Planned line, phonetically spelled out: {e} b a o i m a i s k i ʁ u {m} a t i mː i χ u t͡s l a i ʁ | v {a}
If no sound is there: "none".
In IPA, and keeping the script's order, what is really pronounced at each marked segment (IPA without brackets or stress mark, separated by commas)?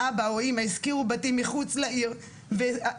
a, b, e